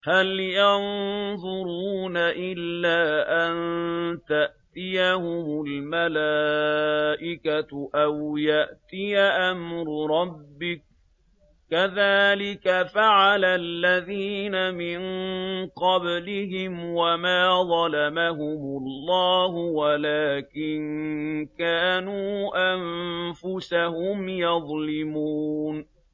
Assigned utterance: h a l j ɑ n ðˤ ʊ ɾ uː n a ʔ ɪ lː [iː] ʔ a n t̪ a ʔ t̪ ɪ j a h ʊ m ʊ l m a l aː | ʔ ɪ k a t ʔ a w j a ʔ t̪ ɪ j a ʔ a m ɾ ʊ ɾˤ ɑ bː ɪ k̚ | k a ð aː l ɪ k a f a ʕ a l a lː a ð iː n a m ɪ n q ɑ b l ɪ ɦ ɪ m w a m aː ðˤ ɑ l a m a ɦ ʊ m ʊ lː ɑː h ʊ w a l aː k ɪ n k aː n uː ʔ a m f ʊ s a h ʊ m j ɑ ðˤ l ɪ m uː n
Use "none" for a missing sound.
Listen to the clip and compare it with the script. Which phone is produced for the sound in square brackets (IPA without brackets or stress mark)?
aː